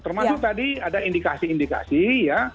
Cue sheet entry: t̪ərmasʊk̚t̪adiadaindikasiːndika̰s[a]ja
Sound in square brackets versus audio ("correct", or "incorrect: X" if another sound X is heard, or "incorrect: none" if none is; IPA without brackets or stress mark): incorrect: i